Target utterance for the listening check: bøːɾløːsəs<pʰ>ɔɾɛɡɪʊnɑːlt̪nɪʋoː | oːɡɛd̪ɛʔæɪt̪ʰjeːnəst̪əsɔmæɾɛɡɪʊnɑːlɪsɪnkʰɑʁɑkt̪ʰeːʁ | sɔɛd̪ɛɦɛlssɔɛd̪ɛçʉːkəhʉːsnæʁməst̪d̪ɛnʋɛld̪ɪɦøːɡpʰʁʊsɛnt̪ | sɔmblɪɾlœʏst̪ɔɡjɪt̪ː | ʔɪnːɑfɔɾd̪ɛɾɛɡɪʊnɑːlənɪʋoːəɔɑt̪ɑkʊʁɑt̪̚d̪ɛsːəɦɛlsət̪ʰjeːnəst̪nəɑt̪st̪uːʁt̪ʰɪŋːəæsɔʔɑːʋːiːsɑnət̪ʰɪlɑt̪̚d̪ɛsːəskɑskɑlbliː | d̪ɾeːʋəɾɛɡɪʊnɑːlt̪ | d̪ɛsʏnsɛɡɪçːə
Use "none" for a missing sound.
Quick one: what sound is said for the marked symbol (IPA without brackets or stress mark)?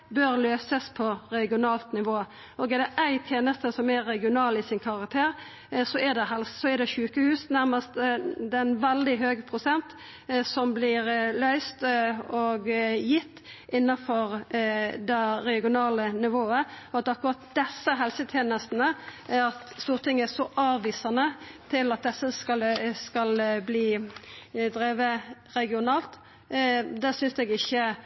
pʰ